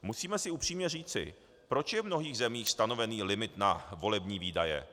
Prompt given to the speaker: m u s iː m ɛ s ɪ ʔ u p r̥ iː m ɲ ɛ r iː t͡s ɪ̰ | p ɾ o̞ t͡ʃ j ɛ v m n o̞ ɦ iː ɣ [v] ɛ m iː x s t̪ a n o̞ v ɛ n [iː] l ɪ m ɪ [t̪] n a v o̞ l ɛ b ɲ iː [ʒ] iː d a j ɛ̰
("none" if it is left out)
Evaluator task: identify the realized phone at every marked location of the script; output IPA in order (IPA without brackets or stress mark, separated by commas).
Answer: z, iː, t̪, v